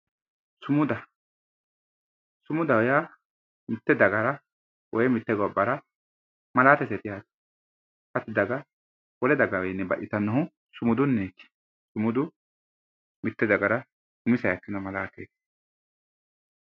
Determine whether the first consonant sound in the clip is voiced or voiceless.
voiceless